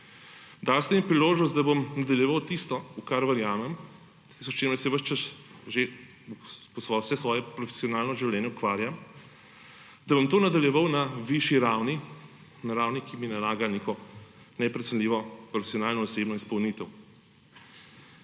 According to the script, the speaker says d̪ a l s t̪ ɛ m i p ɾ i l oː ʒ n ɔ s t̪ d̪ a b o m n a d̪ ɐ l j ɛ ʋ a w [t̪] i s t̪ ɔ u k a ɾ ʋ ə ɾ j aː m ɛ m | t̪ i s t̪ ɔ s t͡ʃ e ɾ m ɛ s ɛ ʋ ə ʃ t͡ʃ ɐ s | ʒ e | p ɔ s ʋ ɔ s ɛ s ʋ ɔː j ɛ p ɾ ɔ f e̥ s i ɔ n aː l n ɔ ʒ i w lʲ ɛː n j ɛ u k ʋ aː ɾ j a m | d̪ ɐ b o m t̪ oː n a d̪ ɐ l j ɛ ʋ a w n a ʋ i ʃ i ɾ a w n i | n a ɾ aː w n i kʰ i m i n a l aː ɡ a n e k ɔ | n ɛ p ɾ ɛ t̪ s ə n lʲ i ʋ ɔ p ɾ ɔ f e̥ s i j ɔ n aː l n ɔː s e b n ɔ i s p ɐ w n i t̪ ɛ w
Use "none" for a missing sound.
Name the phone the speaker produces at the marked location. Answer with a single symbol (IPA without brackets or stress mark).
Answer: t̪